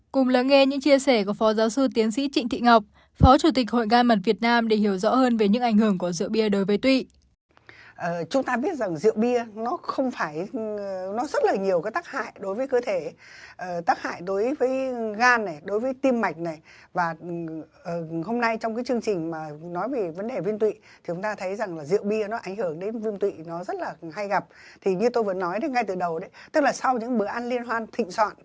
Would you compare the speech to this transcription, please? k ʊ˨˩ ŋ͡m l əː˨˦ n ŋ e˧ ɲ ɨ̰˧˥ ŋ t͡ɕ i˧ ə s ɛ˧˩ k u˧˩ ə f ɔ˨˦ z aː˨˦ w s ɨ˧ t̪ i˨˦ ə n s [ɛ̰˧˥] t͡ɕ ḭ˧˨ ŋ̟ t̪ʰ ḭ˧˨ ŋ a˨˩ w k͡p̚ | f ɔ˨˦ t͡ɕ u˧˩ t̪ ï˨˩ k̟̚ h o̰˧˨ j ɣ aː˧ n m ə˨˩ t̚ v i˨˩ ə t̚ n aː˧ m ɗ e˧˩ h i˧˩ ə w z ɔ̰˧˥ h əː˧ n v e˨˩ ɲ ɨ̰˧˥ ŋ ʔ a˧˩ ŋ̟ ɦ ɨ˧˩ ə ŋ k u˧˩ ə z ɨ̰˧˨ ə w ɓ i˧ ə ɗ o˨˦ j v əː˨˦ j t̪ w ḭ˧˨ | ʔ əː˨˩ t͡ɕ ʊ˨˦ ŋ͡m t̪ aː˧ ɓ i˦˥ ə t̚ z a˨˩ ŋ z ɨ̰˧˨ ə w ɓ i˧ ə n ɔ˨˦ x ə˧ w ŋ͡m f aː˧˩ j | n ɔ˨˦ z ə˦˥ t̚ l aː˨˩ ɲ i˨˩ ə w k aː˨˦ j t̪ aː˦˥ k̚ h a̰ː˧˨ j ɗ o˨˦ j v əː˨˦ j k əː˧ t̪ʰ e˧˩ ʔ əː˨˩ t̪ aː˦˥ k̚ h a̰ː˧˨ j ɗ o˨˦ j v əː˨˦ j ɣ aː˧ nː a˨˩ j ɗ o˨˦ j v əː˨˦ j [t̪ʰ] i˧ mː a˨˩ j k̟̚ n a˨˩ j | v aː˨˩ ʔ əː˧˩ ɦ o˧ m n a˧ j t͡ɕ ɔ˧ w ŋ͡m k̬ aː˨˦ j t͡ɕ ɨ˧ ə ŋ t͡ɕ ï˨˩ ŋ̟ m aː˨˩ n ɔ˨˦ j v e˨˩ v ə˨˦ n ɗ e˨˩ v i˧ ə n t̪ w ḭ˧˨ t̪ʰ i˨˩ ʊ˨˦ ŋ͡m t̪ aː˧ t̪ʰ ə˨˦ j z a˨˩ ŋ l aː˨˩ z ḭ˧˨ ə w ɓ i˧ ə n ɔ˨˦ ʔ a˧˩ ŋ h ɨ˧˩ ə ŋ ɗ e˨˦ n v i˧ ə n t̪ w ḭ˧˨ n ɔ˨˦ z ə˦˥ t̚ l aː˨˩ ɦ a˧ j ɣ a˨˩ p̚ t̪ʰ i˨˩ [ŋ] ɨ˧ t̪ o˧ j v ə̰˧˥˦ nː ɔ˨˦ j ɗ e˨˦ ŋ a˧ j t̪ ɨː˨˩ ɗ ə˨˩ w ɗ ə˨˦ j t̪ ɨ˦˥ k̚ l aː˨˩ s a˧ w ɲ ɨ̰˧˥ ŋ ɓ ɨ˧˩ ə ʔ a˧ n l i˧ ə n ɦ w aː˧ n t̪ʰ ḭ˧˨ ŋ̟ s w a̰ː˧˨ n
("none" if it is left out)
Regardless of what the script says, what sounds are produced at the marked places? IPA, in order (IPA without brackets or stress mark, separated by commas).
ḭ˧˥, t̪, ɲ